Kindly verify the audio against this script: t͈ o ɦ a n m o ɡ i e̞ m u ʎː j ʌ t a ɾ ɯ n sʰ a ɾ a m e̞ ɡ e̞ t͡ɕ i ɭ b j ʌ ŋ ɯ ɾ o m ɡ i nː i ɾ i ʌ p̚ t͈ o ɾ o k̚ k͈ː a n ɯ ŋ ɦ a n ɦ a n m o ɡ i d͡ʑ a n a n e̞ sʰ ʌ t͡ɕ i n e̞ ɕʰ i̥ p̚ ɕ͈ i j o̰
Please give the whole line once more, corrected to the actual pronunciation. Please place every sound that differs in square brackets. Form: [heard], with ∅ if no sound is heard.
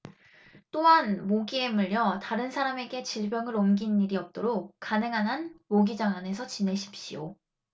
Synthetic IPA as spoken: t͈ o ɦ a n m o ɡ i e̞ m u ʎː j ʌ t a ɾ ɯ n sʰ a ɾ a m e̞ ɡ e̞ t͡ɕ i ɭ b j ʌ ŋ ɯ ɾ o m ɡ i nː i ɾ i ʌ p̚ t͈ o ɾ o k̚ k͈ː a n ɯ ŋ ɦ a n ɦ a n m o ɡ i d͡ʑ a [ŋ] a n e̞ sʰ ʌ t͡ɕ i n e̞ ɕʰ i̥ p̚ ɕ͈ i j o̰